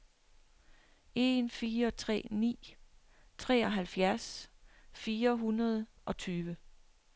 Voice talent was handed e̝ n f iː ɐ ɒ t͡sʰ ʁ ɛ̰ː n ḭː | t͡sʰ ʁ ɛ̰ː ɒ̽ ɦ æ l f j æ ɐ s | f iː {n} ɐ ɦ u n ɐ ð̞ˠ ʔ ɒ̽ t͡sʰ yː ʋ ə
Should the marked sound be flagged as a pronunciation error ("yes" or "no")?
yes